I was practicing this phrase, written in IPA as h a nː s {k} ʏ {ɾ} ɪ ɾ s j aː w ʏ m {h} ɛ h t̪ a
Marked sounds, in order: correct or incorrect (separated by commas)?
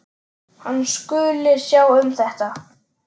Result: correct, incorrect, incorrect